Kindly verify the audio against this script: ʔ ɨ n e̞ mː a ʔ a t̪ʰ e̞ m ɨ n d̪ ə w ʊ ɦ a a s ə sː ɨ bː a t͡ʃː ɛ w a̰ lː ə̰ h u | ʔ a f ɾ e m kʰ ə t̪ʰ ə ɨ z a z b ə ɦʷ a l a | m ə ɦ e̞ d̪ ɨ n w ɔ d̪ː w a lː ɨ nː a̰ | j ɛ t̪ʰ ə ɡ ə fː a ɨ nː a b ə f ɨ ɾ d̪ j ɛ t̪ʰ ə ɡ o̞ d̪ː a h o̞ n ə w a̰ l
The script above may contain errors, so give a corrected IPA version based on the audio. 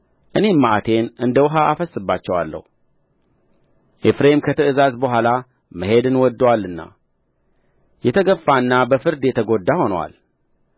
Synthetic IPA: ʔ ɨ n e̞ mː a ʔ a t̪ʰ e̞ n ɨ n d̪ ə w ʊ ɦ a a f ə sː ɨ bː a t͡ʃː ɛ w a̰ lː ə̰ h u | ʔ e f ɾ e m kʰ ə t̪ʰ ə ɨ z a z b ə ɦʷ a l a | m ə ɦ e̞ d̪ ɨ n w ɔ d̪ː w a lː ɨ nː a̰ | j ɛ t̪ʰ ə ɡ ə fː a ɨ nː a b ə f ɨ ɾ d̪ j ɛ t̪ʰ ə ɡ o̞ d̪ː a h o̞ n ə w a̰ l

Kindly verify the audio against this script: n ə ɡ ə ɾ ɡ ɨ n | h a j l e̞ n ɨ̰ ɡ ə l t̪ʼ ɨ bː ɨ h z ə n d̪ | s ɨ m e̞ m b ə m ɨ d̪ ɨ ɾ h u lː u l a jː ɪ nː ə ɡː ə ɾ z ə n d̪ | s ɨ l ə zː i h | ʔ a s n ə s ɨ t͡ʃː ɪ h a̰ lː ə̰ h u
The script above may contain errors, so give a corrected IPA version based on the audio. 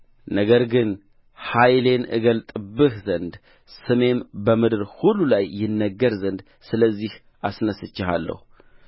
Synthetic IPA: n ə ɡ ə ɾ ɡ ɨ n | h a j l e̞ n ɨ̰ ɡ ə l t̪ʼ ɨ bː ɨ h z ə n d̪ | s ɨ m e̞ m b ə m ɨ d̪ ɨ ɾ h u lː u l a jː ɪ nː ə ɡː ə ɾ z ə n d̪ | s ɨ l ə zː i h | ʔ a s n ə s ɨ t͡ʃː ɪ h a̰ lː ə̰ h u

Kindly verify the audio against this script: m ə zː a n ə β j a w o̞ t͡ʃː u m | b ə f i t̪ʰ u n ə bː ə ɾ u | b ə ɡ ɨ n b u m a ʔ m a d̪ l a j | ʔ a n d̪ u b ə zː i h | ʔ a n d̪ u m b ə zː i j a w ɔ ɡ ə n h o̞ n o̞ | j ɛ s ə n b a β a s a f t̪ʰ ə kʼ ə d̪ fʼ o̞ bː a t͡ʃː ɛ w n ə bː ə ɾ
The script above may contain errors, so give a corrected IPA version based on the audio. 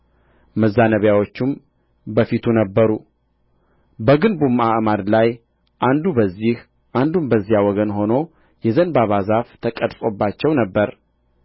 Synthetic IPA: m ə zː a n ə β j a w o̞ t͡ʃː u m | b ə f i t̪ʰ u n ə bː ə ɾ u | b ə ɡ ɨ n b u m a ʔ m a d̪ l a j | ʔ a n d̪ u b ə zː i h | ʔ a n d̪ u m b ə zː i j a w ɔ ɡ ə n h o̞ n o̞ | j ɛ z ə n b a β a z a f t̪ʰ ə kʼ ə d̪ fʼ o̞ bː a t͡ʃː ɛ w n ə bː ə ɾ

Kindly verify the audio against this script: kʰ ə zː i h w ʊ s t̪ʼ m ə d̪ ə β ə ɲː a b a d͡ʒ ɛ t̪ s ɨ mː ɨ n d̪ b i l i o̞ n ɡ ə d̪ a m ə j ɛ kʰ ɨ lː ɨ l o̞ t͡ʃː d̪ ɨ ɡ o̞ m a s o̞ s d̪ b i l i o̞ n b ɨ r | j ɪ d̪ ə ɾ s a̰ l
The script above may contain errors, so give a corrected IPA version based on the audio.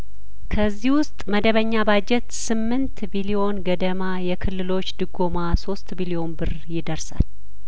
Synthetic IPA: kʰ ə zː i h w ʊ s t̪ʼ m ə d̪ ə β ə ɲː a b a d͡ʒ ɛ t̪ s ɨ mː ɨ n t̪ b i l i o̞ n ɡ ə d̪ ə m a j ɛ kʰ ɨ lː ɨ l o̞ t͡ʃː d̪ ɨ ɡ o̞ m a s o̞ s t̪ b i l i o̞ n b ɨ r | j ɪ d̪ ə ɾ s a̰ l

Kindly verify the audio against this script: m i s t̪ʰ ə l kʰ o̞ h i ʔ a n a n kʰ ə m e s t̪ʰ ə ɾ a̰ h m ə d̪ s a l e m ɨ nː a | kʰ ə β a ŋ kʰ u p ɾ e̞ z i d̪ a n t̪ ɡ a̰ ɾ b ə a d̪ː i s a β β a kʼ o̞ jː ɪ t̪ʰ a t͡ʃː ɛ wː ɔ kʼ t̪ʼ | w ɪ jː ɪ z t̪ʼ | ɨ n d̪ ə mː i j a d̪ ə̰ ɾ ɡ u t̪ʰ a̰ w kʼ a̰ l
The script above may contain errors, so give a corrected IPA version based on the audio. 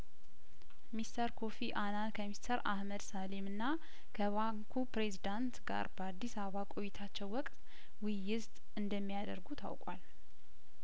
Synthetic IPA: m i s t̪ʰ ə ɾ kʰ o̞ f i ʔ a n a n kʰ ə m i s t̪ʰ ə ɾ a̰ h m ə d̪ s a l e m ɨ nː a | kʰ ə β a ŋ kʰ u p ɾ e̞ z i d̪ a n t̪ ɡ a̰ ɾ b ə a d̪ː i s a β β a kʼ o̞ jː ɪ t̪ʰ a t͡ʃː ɛ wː ɔ kʼ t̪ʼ | w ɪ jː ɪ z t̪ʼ | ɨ n d̪ ə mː i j a d̪ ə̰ ɾ ɡ u t̪ʰ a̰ w kʼ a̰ l

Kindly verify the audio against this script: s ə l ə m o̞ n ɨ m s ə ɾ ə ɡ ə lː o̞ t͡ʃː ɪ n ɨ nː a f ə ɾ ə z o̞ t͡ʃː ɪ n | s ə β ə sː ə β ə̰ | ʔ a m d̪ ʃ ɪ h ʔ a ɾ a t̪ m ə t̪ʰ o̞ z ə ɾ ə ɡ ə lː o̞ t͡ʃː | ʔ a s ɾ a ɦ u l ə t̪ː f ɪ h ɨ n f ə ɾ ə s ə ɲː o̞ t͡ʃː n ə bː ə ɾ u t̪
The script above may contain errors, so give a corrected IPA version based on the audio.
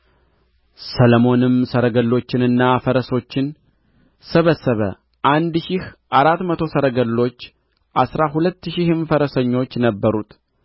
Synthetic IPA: s ə l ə m o̞ n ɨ m s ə ɾ ə ɡ ə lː o̞ t͡ʃː ɪ n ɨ nː a f ə ɾ ə s o̞ t͡ʃː ɪ n | s ə β ə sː ə β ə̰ | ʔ a n d̪ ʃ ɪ h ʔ a ɾ a t̪ m ə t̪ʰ o̞ s ə ɾ ə ɡ ə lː o̞ t͡ʃː | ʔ a s ɾ a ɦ u l ə t̪ː ʃ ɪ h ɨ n f ə ɾ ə s ə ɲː o̞ t͡ʃː n ə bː ə ɾ u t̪

